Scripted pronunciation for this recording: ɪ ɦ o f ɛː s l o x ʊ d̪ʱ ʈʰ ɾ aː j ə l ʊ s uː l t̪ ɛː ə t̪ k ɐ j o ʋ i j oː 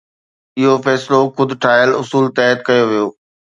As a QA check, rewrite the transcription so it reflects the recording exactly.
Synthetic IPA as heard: ɪ ɦ o f ɛː s l o x ʊ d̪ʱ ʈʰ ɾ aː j ə l ʊ s uː l t̪ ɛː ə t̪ k ɐ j o ʋ i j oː